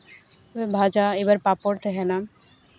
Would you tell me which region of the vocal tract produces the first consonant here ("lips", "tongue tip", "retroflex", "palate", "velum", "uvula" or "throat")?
lips